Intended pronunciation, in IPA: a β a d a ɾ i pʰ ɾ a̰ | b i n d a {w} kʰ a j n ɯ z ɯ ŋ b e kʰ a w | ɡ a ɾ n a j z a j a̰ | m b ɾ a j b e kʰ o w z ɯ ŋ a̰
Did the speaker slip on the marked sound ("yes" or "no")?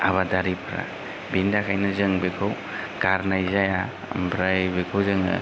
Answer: yes